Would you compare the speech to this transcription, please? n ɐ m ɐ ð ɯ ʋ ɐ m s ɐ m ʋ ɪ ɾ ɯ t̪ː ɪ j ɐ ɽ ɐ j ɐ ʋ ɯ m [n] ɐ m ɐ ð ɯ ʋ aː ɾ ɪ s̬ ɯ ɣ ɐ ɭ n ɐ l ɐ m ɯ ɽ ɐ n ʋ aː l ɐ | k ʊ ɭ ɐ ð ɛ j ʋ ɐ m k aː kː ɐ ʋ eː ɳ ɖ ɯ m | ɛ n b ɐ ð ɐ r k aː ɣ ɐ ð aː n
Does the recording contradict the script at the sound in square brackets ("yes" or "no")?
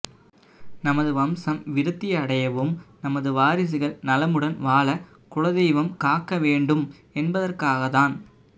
no